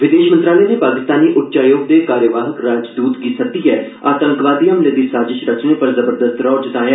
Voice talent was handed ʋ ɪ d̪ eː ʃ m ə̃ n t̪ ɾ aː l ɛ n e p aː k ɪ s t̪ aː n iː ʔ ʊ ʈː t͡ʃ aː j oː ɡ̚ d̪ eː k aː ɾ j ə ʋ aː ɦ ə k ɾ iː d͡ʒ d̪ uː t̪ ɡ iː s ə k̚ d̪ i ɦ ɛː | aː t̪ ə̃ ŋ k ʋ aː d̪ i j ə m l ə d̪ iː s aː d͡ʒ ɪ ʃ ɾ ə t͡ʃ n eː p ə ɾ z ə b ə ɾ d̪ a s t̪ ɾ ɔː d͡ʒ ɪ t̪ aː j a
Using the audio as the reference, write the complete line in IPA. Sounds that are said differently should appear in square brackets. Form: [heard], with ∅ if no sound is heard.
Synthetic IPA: ʋ ɪ d̪ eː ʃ m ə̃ n t̪ ɾ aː l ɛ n e p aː k ɪ s t̪ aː n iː ʔ ʊ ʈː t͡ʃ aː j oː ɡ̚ d̪ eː k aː ɾ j ə ʋ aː ɦ ə k ɾ [aː] d͡ʒ d̪ uː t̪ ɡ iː s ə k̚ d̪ i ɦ ɛː | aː t̪ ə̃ ŋ k ʋ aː d̪ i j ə m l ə d̪ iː s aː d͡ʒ ɪ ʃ ɾ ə t͡ʃ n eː p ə ɾ z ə b ə ɾ d̪ [ə] s t̪ ɾ ɔː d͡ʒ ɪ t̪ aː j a